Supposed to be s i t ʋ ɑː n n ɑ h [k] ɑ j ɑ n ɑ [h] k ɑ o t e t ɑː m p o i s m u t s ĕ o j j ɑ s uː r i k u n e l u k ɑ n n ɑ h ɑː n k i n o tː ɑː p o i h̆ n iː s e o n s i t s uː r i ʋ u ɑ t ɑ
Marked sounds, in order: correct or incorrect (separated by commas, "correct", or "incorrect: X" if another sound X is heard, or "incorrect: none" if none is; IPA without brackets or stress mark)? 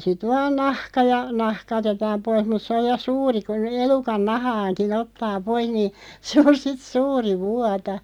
correct, correct